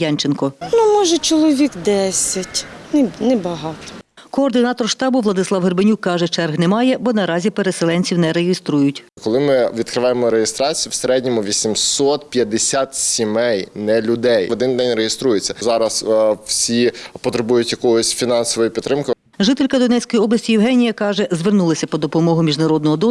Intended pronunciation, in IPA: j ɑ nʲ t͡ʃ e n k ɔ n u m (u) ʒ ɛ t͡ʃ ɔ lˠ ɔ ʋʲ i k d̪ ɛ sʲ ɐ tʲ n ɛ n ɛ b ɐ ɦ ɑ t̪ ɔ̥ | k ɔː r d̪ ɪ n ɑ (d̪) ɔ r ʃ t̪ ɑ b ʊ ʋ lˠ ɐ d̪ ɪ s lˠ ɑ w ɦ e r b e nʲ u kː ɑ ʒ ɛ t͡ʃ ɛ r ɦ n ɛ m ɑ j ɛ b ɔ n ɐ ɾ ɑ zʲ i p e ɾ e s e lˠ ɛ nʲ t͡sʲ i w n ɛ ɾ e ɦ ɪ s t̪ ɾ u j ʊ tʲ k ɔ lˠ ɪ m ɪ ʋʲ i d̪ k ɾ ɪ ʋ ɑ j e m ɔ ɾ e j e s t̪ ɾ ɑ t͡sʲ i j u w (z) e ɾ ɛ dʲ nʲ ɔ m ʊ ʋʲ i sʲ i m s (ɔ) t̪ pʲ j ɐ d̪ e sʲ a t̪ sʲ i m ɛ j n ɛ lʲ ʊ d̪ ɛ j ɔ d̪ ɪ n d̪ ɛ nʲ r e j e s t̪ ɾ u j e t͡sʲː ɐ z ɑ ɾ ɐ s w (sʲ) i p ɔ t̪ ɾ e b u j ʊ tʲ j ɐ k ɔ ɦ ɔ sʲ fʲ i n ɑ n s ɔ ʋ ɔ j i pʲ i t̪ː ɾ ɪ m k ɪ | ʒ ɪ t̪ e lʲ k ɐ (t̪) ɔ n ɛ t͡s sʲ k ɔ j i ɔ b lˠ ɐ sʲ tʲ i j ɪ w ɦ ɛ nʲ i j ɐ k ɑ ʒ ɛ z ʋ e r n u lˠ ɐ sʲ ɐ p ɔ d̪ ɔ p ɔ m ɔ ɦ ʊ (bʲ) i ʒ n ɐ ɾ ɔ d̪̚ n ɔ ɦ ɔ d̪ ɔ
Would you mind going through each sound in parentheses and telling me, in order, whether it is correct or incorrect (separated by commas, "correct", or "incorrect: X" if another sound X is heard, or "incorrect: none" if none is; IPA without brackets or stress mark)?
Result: incorrect: ɔ, incorrect: t̪, incorrect: s, correct, correct, incorrect: d̪, incorrect: mʲ